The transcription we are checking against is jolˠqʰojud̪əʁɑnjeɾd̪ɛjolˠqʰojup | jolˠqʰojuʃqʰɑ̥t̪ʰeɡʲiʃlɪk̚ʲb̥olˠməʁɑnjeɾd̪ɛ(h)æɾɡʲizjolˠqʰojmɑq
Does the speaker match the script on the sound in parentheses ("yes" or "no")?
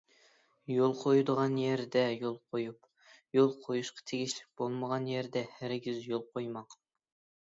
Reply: yes